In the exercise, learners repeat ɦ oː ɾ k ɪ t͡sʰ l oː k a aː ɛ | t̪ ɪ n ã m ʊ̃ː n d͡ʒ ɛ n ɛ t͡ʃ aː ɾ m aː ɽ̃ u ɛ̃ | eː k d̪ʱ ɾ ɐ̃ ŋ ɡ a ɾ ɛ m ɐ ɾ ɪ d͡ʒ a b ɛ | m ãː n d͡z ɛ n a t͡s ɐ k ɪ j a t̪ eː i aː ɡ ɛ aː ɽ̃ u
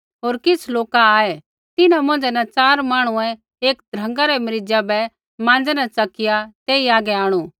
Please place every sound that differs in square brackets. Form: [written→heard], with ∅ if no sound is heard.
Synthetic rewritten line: ɦ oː ɾ k ɪ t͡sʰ l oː k a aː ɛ | t̪ ɪ n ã m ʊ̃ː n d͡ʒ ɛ n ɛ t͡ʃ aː ɾ m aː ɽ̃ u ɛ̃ | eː k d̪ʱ ɾ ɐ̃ ŋ ɡ a ɾ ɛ m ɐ ɾ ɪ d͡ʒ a b ɛ | m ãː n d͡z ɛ n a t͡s ɐ k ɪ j a t̪ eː i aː ɡ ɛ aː ɽ̃ u